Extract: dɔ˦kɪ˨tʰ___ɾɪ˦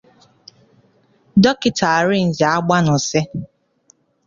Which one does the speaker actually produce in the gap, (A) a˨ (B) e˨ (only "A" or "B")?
A